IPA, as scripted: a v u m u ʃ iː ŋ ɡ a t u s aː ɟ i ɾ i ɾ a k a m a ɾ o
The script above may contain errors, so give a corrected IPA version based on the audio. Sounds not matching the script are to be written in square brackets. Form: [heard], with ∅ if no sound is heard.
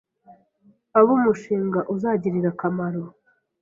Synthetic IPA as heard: a [β] u m u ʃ iː ŋ ɡ a [ʔ] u [z] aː ɟ i ɾ i ɾ a k a m a ɾ o